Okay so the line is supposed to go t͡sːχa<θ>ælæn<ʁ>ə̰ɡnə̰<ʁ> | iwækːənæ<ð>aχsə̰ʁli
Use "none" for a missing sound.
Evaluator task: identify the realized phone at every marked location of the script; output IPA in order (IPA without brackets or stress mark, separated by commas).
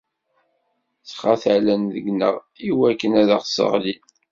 θ, ð, ʁ, ð